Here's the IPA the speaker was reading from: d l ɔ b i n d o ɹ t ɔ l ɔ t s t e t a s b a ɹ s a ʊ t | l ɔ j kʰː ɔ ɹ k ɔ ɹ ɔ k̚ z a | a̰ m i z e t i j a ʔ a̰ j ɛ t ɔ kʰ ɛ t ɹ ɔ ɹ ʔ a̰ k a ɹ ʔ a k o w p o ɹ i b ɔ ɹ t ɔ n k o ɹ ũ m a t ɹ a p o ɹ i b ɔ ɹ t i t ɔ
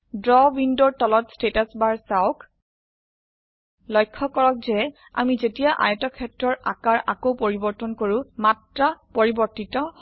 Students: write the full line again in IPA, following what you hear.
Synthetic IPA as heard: d ɹ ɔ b i n d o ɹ t ɔ l ɔ t s t e t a s b a ɹ s a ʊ k | l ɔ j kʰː ɔ k ɔ ɹ ɔ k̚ z ɛ | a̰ m i z e t i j a ʔ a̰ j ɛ t ɔ kʰ ɛ t ɹ ɔ ɹ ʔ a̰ k a ɹ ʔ a k o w p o ɹ i b ɔ ɹ t ɔ n k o ɹ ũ m a t ɹ a p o ɹ i b ɔ ɹ t i t ɔ